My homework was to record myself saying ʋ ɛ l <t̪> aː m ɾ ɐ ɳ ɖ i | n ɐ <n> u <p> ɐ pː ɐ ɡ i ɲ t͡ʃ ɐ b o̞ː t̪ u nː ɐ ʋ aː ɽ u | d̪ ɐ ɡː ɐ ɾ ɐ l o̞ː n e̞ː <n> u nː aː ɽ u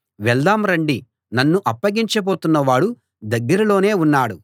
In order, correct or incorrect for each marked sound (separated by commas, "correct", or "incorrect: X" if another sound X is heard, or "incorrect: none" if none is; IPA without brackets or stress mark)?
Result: incorrect: d̪, incorrect: nː, incorrect: ʔ, incorrect: none